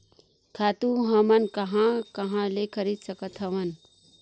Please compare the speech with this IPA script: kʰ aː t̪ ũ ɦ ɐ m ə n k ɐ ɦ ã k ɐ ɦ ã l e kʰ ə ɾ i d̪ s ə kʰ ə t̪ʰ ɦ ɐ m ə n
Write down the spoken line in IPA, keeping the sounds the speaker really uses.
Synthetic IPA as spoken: kʰ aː t̪ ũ ɦ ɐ m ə n k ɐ ɦ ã k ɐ ɦ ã l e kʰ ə ɾ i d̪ s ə k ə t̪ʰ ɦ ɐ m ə n